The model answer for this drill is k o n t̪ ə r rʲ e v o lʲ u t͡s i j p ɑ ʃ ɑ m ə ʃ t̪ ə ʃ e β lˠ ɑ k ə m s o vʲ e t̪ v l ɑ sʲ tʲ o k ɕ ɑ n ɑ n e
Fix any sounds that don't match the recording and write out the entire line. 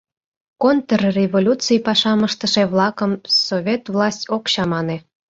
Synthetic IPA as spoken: k o n t̪ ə r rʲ e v o lʲ u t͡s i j p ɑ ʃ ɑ m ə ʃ t̪ ə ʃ e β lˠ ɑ k ə m s o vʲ e t̪ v l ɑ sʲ tʲ o k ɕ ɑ m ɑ n e